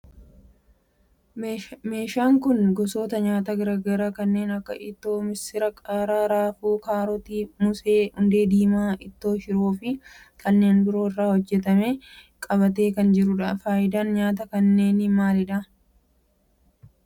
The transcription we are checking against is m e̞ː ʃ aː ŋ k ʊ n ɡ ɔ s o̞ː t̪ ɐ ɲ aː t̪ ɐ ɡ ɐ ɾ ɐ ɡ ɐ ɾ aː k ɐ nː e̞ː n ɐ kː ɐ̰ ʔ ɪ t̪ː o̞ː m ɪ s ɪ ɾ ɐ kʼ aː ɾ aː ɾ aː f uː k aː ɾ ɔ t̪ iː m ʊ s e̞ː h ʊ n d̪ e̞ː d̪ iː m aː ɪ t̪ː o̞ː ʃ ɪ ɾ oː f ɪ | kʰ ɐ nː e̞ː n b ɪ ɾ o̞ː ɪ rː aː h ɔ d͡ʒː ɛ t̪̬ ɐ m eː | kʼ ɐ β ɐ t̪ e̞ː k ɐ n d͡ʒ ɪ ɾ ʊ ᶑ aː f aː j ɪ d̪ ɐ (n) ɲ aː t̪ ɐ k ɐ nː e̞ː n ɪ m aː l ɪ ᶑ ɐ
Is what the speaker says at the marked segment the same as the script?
yes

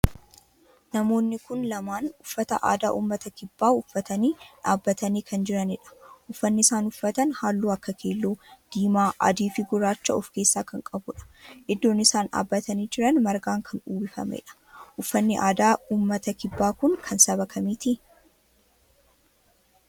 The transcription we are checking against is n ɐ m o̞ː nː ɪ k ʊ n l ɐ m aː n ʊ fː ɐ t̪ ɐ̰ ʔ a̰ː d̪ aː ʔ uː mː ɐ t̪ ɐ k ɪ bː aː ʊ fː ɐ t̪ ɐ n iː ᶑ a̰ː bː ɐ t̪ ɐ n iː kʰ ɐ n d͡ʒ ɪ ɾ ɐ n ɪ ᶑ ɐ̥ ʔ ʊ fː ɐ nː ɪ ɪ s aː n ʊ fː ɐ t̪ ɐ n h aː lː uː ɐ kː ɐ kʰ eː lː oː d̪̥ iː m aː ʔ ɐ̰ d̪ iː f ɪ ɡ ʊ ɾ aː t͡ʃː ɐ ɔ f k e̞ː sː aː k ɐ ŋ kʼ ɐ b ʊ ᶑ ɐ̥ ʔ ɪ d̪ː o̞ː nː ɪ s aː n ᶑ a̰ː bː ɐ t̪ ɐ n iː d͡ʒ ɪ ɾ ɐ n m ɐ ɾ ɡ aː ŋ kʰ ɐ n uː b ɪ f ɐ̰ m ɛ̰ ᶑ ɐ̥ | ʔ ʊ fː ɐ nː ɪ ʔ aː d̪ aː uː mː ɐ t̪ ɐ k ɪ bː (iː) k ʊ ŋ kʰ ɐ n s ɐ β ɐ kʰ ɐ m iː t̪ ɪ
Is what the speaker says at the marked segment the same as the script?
no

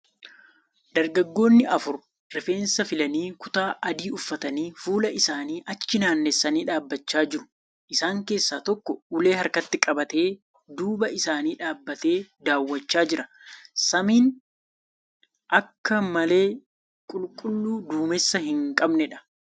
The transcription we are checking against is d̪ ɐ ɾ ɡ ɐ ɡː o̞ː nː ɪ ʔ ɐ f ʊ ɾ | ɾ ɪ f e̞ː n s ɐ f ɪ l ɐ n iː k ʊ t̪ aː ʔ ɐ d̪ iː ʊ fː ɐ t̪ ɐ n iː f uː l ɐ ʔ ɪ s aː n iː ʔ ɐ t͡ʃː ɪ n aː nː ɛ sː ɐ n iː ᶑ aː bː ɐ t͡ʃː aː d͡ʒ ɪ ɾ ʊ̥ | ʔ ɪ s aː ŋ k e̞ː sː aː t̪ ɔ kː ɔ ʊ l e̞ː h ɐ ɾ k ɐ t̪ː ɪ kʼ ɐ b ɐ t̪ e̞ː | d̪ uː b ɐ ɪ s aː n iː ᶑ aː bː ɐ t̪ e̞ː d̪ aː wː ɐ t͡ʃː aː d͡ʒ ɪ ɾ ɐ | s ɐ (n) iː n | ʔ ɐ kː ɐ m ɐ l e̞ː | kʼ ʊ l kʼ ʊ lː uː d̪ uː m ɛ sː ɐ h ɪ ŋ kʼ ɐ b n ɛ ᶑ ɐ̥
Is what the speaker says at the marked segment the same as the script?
no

